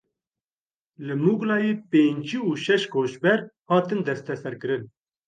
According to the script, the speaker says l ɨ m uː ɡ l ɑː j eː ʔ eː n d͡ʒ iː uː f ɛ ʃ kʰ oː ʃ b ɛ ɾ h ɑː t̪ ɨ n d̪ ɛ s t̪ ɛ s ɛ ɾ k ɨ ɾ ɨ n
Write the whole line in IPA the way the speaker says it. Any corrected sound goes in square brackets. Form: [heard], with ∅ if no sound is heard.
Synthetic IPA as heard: l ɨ m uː ɡ l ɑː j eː [p] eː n d͡ʒ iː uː [ʃ] ɛ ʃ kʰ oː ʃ b ɛ ɾ h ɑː t̪ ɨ n d̪ ɛ s t̪ ɛ s ɛ ɾ k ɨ ɾ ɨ n